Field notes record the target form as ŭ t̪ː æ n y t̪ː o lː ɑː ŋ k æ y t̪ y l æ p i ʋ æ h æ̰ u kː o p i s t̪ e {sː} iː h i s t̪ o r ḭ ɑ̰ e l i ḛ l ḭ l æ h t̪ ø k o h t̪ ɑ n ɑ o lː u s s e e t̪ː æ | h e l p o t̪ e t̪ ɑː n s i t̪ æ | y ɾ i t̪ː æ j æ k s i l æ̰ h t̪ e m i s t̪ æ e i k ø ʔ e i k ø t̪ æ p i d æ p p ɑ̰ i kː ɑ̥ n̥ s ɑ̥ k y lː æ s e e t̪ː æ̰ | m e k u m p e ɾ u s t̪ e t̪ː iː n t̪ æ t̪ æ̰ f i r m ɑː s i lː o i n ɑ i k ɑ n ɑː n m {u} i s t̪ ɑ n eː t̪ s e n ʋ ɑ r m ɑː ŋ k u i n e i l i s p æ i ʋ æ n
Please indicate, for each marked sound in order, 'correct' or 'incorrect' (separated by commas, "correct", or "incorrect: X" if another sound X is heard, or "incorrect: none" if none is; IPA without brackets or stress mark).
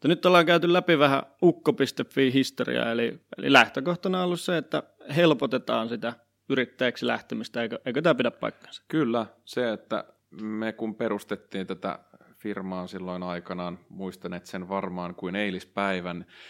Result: incorrect: fː, correct